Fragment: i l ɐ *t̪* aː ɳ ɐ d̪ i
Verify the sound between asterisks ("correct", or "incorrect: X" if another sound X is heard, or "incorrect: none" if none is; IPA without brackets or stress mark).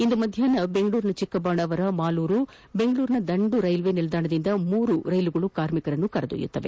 incorrect: d̪